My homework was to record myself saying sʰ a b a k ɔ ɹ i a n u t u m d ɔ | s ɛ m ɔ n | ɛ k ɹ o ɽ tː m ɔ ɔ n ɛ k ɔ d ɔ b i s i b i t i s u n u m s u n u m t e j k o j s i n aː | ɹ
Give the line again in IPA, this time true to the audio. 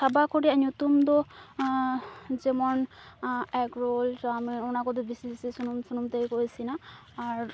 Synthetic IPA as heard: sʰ a b a k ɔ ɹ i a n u t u m d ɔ | z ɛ m ɔ n | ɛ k ɹ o l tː m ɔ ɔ n a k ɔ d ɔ b i s i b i s i s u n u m s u n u m t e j k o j s i n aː | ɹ